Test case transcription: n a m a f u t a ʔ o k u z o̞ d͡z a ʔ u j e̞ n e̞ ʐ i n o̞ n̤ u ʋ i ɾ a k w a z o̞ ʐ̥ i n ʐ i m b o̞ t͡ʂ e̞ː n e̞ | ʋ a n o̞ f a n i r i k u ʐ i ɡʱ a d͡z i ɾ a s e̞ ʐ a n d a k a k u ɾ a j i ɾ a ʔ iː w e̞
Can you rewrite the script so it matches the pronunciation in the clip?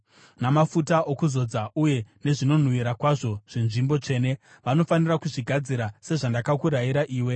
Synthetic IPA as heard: n a m a f u t a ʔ o k u z o̞ d͡z a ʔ u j e̞ n e̞ ʐ i n o̞ n̤ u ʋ i ɾ a k w a ʐ o̞ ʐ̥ i n ʐ i m b o̞ t͡ʂ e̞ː n e̞ | ʋ a n o̞ f a n i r a k u ʐ i ɡʱ a d͡z i ɾ a s e̞ ʐ a n d a k a k u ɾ a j i ɾ a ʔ iː w e̞